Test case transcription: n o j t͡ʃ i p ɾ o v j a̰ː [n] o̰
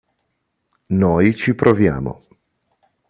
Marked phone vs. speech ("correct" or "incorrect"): incorrect